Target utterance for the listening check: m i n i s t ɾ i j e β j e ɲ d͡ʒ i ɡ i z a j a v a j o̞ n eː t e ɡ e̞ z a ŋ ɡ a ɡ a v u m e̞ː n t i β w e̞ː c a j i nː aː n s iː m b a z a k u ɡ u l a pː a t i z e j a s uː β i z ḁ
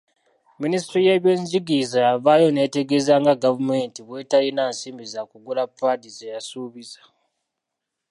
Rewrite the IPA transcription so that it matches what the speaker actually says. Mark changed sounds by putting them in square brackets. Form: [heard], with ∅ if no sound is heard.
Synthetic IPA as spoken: m i n i s t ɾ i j e β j e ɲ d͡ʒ i ɡ i z a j a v a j o̞ n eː t e ɡ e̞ z a ŋ ɡ a ɡ a v u m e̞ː n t i β w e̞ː [t] a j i [n] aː n s iː m b [i] z a k u ɡ u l a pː a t i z e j a s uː β i z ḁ

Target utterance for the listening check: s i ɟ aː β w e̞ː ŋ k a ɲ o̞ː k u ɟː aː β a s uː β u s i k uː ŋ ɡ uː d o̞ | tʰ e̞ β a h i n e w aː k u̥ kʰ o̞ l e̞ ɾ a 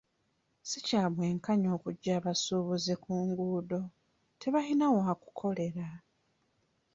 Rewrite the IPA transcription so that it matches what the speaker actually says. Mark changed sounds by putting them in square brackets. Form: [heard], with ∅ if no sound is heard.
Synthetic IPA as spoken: s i [c] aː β w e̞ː ŋ k a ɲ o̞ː k u ɟː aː β a s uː β u [z] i k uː ŋ ɡ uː d o̞ | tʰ e̞ β a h i n [a] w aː k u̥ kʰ o̞ l e̞ ɾ a

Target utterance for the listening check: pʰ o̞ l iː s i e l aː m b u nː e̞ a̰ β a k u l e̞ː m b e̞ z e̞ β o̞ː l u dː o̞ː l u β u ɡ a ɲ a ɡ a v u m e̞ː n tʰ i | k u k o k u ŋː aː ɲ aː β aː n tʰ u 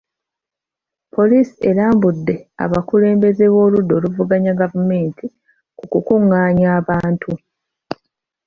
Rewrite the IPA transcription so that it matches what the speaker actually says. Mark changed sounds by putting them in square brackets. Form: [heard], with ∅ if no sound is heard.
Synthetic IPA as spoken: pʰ o̞ l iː s i e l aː m b u [dː] e̞ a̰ β a k u l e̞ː m b e̞ z e̞ β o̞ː l u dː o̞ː l u [v] u ɡ a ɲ a ɡ a v u m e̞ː n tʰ i | k u k [u] k u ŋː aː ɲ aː β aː n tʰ u

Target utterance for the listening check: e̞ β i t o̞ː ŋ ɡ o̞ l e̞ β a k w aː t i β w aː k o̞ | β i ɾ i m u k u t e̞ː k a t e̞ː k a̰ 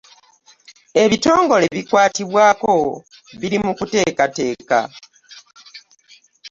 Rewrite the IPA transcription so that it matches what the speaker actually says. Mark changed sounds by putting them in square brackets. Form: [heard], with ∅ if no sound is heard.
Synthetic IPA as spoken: e̞ β i t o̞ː ŋ ɡ o̞ l e̞ β [i] k w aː t i β w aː k o̞ | β i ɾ i m u k u t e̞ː k a t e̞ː k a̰

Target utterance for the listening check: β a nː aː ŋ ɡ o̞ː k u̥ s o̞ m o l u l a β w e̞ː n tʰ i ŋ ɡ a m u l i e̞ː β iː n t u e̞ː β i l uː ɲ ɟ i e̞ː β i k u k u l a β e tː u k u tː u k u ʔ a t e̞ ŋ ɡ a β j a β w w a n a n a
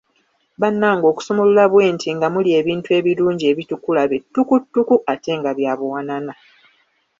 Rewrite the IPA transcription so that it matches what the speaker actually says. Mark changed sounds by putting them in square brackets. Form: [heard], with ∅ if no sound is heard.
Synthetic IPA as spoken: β a nː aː ŋ ɡ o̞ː k u̥ s o̞ m o l u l a β w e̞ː n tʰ i ŋ ɡ a m u l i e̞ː β iː n t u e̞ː β i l uː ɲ ɟ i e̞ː β i [t] u k u l a β e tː u k u tː u k u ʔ a t e̞ ŋ ɡ a β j a β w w a n a n a

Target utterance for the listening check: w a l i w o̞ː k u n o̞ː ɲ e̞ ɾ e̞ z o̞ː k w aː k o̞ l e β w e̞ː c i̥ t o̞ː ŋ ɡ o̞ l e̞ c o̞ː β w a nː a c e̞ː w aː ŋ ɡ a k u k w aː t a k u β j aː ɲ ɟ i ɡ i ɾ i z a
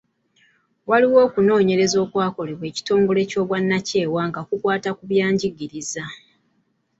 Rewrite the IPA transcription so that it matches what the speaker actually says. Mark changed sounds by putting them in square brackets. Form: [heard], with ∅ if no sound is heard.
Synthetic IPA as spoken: w a l i w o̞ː k u n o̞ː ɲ e̞ ɾ e̞ z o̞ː k w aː k o̞ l e β w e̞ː c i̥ t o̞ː ŋ ɡ o̞ l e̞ c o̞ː β w a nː a c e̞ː w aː ŋ ɡ a k u k w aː t a k u β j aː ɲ ɟ i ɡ i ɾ i z a

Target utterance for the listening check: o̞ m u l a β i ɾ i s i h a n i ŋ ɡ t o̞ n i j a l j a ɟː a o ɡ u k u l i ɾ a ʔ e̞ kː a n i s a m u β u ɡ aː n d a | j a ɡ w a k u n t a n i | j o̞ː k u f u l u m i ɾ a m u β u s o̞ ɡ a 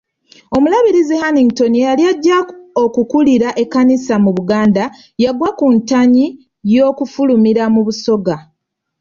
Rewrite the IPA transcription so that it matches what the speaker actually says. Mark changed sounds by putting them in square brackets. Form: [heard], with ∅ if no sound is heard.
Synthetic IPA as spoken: o̞ m u l a β i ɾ i [z] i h a n i ŋ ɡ t o̞ n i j a l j a ɟː a o [k] u k u l i ɾ a ʔ e̞ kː a n i s a m u β u ɡ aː n d a | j a ɡ w a k u n t a [ɲ] i | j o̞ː k u f u l u m i ɾ a m u β u s o̞ ɡ a

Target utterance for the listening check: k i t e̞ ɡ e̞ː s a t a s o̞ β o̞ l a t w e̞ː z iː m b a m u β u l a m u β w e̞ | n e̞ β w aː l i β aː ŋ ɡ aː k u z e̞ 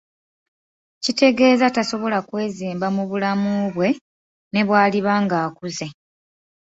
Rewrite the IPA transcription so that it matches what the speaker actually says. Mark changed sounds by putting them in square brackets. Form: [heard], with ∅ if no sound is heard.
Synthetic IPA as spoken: [c] i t e̞ ɡ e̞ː [z] a t a s o̞ β o̞ l a [k] w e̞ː z iː m b a m u β u l a m u β w e̞ | n e̞ β w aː l i β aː ŋ ɡ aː k u z e̞

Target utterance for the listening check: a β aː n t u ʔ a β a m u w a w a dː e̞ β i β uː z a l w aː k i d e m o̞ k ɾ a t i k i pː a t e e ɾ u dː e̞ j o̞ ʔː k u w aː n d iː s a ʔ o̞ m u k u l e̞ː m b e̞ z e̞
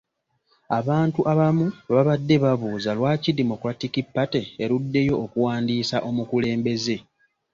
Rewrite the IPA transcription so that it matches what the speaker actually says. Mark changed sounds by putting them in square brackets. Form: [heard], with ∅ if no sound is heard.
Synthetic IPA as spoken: a β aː n t u ʔ a β a m u [β] a [β] a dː e̞ β [a] β uː z a l w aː [c] i d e m o̞ k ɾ a t i k i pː a t e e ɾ u dː e̞ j o̞ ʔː k u w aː n d iː s a ʔ o̞ m u k u l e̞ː m b e̞ z e̞

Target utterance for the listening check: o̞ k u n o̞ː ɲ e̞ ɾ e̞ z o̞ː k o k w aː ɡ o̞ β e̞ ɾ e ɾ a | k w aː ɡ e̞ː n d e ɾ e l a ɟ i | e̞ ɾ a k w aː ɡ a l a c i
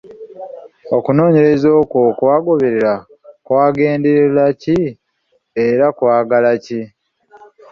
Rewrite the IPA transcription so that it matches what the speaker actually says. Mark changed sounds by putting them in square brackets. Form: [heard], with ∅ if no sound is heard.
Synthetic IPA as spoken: o̞ k u n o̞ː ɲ e̞ ɾ e̞ z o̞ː k o k w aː ɡ o̞ β e̞ ɾ e ɾ a | k w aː ɡ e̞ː n d e ɾ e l a [c] i | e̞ ɾ a k w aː ɡ a l a c i

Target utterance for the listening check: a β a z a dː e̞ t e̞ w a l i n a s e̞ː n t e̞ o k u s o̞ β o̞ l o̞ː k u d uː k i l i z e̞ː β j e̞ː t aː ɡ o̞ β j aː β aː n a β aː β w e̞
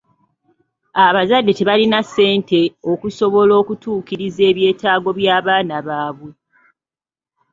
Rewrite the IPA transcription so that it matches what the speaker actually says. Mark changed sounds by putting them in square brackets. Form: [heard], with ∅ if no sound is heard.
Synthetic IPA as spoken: a β a z a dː e̞ t e̞ [β] a l i n a s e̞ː n t e̞ o k u s o̞ β o̞ l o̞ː k u [t] uː k i [ɾ] i z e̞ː β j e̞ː t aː ɡ o̞ β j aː β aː n a β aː β w e̞

